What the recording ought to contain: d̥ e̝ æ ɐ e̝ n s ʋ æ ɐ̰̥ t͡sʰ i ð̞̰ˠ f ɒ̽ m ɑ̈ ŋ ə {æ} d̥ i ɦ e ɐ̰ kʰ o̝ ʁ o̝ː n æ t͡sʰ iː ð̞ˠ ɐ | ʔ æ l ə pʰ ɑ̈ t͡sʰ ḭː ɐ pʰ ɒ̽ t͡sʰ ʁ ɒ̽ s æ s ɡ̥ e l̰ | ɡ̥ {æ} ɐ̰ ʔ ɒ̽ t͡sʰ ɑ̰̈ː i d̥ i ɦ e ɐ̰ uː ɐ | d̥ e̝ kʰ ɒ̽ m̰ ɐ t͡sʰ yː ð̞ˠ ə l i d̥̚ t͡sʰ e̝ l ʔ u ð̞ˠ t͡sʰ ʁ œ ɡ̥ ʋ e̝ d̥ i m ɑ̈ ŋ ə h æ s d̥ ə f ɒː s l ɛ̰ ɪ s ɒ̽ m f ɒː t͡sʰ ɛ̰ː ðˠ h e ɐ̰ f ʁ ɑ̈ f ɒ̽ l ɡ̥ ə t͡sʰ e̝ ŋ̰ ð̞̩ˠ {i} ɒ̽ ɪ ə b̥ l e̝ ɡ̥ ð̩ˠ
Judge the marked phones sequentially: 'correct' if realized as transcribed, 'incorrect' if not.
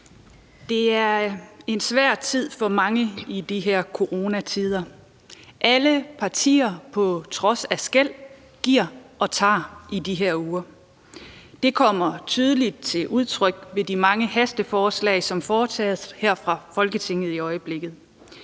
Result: incorrect, incorrect, correct

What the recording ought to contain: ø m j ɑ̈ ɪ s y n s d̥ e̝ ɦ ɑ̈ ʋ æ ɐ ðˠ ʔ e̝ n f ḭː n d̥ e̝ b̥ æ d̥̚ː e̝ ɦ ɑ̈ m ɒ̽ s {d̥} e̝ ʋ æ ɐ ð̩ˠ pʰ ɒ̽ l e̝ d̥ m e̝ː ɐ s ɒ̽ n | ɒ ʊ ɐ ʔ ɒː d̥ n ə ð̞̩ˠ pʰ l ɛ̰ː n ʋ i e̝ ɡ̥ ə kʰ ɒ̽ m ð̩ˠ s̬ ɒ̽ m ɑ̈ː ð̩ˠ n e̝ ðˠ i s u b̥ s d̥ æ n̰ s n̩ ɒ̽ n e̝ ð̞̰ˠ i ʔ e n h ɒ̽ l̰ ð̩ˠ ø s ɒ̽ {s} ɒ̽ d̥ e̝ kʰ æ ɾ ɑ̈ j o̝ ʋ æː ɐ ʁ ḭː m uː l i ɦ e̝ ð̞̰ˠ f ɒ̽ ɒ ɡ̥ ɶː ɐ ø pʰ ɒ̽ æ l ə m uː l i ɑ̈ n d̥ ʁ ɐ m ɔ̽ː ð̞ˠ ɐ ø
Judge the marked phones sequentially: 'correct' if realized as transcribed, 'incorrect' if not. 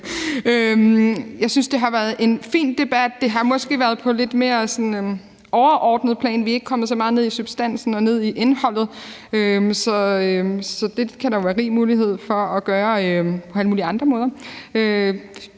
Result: incorrect, correct

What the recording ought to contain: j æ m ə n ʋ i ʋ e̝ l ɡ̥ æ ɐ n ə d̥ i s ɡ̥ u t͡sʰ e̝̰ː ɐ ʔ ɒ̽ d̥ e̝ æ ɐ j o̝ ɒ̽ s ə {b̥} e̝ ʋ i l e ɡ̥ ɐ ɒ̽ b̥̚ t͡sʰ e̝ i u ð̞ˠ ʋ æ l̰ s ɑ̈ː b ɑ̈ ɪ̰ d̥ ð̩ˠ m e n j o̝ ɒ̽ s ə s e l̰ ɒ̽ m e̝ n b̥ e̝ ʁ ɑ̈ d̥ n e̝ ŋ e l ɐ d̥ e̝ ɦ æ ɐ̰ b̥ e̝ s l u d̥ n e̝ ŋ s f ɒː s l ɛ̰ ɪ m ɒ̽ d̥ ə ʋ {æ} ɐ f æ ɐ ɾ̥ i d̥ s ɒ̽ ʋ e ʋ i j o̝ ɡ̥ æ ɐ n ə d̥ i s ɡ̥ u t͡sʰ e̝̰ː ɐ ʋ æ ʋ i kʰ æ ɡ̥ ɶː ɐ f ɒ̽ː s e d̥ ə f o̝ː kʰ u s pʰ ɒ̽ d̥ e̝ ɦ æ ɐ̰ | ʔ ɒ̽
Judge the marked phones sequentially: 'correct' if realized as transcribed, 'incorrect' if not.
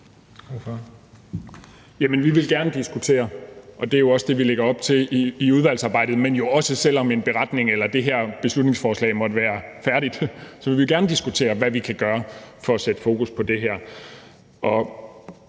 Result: incorrect, incorrect

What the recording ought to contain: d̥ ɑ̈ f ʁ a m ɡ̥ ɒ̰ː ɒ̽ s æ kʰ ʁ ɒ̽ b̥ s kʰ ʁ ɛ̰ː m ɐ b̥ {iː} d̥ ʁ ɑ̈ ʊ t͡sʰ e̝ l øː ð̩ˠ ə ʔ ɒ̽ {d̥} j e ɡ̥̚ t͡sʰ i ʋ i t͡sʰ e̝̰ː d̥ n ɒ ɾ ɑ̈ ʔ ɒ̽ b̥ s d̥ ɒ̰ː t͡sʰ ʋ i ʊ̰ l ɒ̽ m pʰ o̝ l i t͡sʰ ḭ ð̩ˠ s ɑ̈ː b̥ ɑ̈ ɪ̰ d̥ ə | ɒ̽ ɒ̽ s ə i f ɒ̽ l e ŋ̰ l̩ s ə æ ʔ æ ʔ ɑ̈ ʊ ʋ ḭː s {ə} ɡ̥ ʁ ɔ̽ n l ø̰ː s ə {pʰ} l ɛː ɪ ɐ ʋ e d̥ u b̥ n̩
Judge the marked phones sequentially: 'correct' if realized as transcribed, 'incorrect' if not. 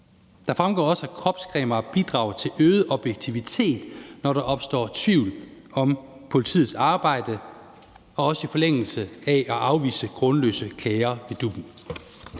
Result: incorrect, incorrect, correct, incorrect

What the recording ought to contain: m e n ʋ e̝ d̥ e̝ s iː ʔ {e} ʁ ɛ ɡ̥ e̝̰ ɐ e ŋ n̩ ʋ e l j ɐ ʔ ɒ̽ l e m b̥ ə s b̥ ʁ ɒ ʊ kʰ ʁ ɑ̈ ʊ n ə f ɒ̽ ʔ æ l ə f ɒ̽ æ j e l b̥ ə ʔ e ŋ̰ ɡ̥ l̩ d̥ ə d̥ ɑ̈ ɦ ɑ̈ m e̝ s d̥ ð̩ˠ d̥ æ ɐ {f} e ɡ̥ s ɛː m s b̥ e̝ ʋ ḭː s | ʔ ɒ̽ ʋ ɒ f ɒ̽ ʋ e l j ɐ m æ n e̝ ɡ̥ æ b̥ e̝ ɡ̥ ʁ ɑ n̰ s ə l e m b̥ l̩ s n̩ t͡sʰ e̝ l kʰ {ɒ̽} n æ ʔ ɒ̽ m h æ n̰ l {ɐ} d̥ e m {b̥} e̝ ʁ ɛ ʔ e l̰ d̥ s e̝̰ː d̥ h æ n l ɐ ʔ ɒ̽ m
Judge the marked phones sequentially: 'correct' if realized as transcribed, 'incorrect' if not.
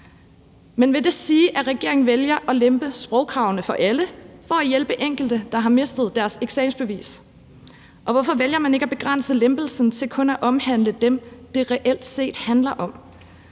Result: incorrect, incorrect, incorrect, incorrect, incorrect

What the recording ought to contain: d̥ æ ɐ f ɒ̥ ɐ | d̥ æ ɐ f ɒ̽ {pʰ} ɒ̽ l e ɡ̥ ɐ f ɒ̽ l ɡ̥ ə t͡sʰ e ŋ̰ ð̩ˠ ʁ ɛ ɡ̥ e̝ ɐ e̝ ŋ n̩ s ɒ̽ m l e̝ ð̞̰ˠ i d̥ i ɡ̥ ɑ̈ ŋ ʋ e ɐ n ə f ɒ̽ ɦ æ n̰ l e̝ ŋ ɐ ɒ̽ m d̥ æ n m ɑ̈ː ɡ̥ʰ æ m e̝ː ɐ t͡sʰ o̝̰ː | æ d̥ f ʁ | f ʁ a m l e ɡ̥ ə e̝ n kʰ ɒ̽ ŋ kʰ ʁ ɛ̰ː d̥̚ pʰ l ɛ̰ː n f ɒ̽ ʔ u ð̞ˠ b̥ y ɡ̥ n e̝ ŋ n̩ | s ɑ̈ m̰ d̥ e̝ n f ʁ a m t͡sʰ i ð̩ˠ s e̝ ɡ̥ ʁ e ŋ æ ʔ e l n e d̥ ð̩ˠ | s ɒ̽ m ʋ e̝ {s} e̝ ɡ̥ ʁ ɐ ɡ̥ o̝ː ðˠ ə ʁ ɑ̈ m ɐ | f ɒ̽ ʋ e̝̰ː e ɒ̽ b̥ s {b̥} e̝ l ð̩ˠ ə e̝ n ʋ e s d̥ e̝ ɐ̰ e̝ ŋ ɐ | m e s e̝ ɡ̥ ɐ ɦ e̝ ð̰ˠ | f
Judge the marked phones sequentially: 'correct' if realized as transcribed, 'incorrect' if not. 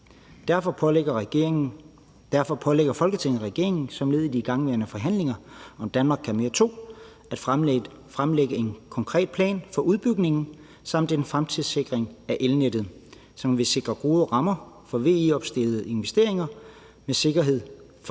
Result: correct, correct, incorrect

